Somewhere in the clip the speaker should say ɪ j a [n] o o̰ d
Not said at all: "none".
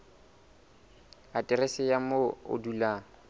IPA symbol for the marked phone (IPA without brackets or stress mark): m